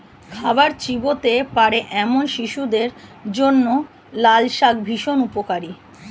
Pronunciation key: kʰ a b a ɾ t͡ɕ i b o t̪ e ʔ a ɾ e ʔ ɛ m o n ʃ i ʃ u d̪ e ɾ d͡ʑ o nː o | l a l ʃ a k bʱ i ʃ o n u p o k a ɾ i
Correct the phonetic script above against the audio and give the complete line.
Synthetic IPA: kʰ a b a ɾ t͡ɕ i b o t̪ e p a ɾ e ʔ ɛ m o n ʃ i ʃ u d̪ e ɾ d͡ʑ o nː o | l a l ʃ a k bʱ i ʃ o n u p o k a ɾ i